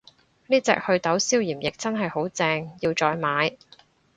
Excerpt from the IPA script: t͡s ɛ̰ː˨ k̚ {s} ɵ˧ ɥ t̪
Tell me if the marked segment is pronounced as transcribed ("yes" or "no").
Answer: no